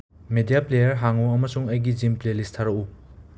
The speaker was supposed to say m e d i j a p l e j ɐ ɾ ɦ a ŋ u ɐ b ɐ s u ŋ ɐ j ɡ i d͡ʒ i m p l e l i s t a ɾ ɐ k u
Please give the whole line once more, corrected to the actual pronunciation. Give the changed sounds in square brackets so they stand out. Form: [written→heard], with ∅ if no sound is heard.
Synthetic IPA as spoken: m e d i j a p l e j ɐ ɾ ɦ a ŋ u ɐ [b→m] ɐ s u ŋ ɐ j ɡ i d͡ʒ i m p l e l i s [t→tʰ] a ɾ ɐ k u